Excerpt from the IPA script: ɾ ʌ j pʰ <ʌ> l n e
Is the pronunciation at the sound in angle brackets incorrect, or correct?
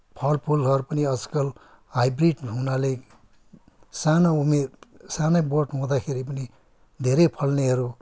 correct